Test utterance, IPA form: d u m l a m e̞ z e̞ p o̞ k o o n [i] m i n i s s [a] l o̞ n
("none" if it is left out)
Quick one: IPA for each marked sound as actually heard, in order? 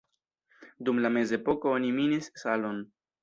i, a

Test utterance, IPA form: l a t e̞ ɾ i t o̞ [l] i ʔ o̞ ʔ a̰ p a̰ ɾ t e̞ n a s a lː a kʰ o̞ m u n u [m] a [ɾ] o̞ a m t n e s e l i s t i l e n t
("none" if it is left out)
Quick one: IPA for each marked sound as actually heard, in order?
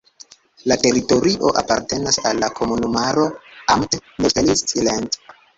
ɾ, m, ɾ

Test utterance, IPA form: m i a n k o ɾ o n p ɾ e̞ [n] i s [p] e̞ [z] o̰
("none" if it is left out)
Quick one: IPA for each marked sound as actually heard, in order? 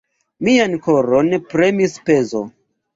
m, p, z

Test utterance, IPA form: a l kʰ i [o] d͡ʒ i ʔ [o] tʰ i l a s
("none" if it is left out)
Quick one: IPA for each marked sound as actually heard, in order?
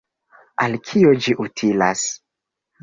o, u

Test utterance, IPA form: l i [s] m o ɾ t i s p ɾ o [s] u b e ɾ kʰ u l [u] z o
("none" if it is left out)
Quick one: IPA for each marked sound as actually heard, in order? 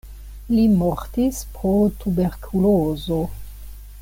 none, t, o

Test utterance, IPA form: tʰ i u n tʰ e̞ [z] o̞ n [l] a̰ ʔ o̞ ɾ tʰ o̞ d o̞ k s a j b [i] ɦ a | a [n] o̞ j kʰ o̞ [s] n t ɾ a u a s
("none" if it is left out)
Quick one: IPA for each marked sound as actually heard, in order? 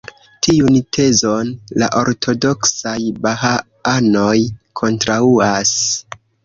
z, l, a, n, none

